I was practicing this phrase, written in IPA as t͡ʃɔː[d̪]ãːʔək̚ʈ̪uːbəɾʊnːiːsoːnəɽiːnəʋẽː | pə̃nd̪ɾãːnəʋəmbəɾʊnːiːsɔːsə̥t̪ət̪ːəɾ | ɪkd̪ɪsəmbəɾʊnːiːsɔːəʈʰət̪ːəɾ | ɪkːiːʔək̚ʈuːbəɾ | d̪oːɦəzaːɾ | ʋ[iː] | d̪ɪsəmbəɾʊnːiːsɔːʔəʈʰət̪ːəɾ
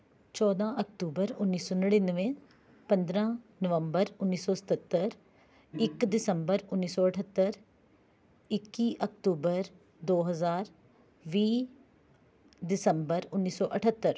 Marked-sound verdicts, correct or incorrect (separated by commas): correct, correct